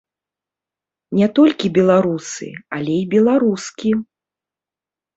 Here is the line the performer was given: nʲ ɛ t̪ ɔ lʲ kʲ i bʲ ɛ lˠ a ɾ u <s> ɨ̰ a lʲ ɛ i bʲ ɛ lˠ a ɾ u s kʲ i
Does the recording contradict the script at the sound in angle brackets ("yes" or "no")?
no